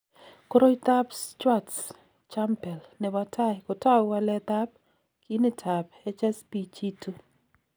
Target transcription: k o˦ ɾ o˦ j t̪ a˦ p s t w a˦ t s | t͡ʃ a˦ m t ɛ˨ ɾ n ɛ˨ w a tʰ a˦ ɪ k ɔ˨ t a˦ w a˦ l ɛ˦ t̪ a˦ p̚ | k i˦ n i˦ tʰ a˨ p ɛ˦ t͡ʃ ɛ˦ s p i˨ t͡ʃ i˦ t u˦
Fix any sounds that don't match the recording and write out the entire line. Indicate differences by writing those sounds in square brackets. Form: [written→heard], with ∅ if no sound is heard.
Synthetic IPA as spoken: k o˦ ɾ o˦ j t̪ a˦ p s [t→t͡ʃ] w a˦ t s | t͡ʃ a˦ m [t→p] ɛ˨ [ɾ→l] n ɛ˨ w a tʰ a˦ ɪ k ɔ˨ t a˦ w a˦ l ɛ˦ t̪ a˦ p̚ | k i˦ n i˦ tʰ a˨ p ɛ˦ t͡ʃ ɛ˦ s p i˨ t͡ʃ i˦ t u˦